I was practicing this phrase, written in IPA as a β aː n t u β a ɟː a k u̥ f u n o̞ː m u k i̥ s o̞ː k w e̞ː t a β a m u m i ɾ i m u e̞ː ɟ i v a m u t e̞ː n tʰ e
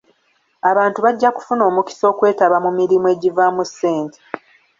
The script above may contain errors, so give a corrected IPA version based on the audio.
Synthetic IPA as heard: a β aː n t u β a ɟː a k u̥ f u n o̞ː m u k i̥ s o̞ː k w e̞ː t a β a m u m i ɾ i m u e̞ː ɟ i v a m u s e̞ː n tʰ e